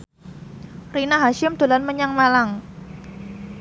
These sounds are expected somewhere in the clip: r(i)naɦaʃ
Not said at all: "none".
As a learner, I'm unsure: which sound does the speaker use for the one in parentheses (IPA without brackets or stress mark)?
i